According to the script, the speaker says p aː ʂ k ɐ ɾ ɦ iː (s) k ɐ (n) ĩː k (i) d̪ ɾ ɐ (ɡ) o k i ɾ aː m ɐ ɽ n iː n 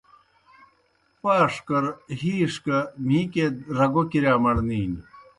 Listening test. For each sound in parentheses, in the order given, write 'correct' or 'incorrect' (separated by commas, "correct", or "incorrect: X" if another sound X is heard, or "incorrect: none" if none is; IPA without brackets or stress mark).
incorrect: ʂ, incorrect: m, incorrect: e, correct